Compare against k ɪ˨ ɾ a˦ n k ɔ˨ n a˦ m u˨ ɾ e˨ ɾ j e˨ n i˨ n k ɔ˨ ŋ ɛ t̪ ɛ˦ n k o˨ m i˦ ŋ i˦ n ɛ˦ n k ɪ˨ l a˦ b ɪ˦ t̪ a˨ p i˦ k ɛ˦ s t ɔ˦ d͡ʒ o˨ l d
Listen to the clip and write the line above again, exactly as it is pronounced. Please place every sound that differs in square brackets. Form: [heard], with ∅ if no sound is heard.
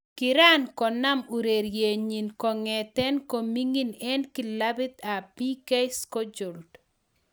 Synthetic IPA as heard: k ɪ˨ ɾ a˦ n k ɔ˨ n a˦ m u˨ ɾ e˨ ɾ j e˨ [ɲ] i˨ n k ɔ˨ ŋ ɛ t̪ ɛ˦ n k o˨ m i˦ ŋ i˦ n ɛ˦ n k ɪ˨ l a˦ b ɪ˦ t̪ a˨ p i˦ k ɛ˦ s [k] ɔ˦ d͡ʒ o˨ l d